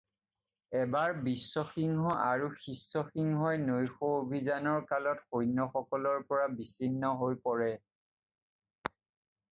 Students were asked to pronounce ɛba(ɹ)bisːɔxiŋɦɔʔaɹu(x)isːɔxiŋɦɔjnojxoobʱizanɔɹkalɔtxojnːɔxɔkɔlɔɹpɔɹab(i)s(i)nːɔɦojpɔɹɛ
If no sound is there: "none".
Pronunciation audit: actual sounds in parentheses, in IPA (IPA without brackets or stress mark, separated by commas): ɹ, x, i, i